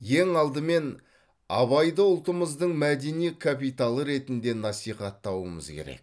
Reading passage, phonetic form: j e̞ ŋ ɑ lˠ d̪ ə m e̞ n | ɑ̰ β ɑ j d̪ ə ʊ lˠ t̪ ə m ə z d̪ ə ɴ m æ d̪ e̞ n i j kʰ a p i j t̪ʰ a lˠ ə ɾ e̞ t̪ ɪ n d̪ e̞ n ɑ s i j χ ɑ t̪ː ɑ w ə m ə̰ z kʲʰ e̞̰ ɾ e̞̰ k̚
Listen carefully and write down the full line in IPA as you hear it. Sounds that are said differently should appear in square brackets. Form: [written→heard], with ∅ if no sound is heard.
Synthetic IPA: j e̞ ŋ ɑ lˠ d̪ ə m e̞ n | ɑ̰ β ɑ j d̪ ə ʊ lˠ t̪ ə m ə z d̪ ə ɴ m æ d̪ e̞ n i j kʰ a p i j [t̪ʰ→t̪] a lˠ ə ɾ e̞ t̪ ɪ n d̪ e̞ n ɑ s i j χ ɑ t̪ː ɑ w ə m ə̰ z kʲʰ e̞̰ ɾ e̞̰ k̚